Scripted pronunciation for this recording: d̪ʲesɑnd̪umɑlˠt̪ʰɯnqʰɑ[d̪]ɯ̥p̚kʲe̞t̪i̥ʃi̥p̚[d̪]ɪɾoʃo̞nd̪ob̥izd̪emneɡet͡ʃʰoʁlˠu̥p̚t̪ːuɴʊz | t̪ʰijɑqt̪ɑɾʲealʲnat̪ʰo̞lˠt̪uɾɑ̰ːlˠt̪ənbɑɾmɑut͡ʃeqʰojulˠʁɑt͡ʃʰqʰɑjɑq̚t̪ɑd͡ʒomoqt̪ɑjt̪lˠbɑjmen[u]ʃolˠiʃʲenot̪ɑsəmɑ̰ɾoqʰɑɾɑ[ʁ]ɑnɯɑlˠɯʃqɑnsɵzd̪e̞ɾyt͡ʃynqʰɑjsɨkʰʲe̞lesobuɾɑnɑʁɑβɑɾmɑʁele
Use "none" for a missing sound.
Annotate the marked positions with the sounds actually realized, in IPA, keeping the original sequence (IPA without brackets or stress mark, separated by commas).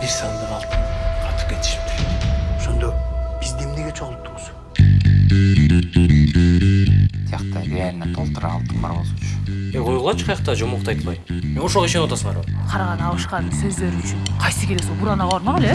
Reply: t̪, t̪, o, ʁ